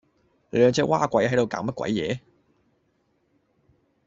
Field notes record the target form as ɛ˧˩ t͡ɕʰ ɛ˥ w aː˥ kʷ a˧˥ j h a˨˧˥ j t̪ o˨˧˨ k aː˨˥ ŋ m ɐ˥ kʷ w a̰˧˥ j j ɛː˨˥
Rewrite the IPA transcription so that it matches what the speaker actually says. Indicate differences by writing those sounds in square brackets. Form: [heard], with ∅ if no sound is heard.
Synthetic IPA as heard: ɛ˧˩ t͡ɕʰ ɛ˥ w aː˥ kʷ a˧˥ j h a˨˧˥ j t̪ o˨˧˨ k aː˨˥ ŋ m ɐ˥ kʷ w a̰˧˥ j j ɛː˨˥

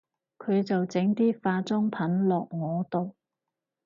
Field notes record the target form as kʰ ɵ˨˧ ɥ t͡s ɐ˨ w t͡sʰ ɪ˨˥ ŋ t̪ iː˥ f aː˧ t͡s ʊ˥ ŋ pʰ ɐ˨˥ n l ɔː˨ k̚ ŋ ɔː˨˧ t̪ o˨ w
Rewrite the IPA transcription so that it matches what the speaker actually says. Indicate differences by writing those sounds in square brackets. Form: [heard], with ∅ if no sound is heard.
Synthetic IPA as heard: kʰ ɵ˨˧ ɥ t͡s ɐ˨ w [t͡s] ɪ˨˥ ŋ t̪ iː˥ f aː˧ t͡s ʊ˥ ŋ pʰ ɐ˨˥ n l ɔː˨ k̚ ŋ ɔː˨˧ t̪ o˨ w

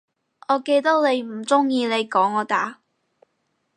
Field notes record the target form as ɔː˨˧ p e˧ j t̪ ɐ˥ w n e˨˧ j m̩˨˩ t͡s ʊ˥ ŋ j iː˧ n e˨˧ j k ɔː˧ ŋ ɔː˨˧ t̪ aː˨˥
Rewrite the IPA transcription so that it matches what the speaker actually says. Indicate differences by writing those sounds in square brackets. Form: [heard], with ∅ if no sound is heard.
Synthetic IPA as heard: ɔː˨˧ [k] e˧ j t̪ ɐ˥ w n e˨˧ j m̩˨˩ t͡s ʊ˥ ŋ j iː˧ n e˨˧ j k [ɔː˨˥] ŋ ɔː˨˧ t̪ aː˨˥

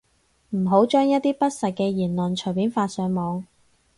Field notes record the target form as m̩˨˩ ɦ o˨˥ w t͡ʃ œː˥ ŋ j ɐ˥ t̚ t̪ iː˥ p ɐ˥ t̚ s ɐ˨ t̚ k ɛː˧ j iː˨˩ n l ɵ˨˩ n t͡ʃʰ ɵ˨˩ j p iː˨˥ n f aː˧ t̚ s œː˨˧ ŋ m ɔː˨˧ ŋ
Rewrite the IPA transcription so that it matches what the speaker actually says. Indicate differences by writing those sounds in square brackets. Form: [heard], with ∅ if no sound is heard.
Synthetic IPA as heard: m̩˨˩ ɦ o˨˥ w t͡ʃ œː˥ ŋ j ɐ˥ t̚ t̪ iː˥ p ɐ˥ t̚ s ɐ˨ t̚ k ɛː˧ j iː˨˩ n l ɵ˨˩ n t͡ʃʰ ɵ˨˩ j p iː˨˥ n f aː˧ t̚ s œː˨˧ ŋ m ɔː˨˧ ŋ

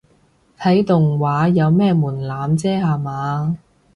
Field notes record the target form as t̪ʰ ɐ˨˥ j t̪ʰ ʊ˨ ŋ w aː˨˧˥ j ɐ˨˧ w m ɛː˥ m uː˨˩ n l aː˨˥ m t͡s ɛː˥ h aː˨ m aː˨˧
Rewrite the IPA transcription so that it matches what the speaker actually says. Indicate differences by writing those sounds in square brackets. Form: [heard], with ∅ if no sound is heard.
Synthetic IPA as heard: t̪ʰ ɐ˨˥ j [t̪] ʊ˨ ŋ w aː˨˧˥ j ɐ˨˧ w m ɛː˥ m uː˨˩ n l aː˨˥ m t͡s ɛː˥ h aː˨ m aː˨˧

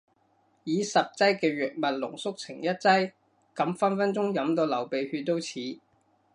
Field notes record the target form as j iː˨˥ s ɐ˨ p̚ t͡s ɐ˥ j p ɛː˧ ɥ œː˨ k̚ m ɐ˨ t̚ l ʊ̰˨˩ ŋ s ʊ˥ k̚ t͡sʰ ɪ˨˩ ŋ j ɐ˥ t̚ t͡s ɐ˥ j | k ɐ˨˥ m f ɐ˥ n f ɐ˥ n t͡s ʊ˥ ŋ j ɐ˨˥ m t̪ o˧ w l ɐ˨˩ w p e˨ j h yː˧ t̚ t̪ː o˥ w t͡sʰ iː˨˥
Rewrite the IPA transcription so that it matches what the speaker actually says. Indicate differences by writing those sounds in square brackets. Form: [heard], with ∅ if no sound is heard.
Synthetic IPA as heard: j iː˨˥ s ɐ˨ p̚ t͡s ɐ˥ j [k] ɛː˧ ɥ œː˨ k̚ m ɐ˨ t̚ l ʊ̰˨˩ ŋ s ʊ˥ k̚ t͡sʰ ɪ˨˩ ŋ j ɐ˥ t̚ t͡s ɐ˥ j | k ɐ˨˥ m f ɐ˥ n f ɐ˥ n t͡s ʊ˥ ŋ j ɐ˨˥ m t̪ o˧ w l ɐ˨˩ w p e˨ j h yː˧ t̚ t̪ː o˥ w t͡sʰ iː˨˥

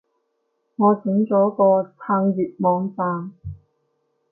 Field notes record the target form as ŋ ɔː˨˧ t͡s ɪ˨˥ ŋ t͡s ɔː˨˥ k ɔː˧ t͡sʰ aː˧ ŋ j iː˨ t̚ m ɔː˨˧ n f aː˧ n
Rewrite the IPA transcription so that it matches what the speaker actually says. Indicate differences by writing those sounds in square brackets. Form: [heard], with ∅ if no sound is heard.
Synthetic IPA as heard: ŋ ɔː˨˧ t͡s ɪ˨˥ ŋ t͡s ɔː˨˥ k ɔː˧ t͡sʰ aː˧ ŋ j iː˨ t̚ m ɔː˨˧ [ŋ] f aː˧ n

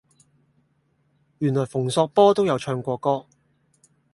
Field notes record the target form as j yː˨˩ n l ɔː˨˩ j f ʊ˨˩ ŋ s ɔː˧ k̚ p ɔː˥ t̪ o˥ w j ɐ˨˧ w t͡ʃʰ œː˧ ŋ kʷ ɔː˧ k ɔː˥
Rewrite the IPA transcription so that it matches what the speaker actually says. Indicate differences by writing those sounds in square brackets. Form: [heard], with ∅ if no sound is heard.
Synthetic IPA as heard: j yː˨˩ n l ɔː˨˩ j f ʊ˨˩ ŋ s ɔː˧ k̚ p ɔː˥ t̪ o˥ w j ɐ˨˧ w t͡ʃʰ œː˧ ŋ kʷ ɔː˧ k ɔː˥

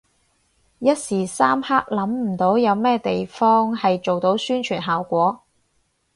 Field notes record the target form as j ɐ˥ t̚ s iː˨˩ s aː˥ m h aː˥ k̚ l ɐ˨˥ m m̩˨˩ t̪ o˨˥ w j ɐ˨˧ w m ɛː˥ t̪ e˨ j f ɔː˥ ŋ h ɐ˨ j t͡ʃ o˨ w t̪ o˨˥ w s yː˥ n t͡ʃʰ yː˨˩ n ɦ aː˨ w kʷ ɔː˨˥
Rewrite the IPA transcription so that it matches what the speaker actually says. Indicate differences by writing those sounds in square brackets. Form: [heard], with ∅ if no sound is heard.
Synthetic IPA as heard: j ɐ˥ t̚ s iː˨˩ s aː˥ m h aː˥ k̚ l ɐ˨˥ m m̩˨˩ t̪ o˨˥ w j ɐ˨˧ w m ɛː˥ t̪ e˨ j f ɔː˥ ŋ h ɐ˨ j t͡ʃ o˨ w t̪ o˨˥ w s yː˥ n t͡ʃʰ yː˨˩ n ɦ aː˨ w kʷ ɔː˨˥

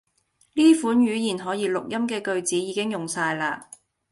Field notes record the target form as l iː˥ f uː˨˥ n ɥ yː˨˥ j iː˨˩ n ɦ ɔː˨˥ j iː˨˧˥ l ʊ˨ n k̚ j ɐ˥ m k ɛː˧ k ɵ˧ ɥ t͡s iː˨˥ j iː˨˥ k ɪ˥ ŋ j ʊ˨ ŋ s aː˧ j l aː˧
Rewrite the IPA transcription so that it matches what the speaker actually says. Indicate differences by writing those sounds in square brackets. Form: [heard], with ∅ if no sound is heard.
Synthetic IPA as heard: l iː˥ f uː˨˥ n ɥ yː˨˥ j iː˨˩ n ɦ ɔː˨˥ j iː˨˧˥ l ʊ˨ [∅] k̚ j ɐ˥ m k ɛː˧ k ɵ˧ ɥ t͡s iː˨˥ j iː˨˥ k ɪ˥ ŋ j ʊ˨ ŋ s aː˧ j l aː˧

